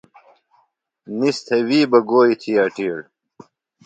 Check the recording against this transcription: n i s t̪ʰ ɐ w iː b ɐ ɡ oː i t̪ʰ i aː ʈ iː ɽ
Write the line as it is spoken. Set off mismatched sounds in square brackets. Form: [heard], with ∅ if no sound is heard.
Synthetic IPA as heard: n i s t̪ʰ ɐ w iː b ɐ ɡ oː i t̪ʰ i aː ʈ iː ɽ